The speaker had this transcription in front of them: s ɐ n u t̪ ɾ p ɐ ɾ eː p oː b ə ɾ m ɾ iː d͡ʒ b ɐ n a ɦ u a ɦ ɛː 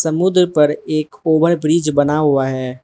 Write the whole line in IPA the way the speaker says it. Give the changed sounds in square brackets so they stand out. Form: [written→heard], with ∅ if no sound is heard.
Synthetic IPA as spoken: s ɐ [n→m] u [t̪→d̪] ɾ p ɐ ɾ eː [p→k] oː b ə ɾ [m→b] ɾ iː d͡ʒ b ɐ n a ɦ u a ɦ ɛː